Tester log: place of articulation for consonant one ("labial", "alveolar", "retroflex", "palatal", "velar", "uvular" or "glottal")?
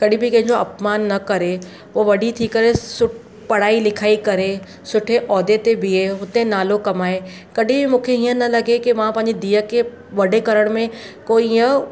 velar